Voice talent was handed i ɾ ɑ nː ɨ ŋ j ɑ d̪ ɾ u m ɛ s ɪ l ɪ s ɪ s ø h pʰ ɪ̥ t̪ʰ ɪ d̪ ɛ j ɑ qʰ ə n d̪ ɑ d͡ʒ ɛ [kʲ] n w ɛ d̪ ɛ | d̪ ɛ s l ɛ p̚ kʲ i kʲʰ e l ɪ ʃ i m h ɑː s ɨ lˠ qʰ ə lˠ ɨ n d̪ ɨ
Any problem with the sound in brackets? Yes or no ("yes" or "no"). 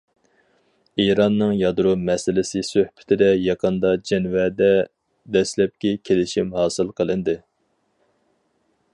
yes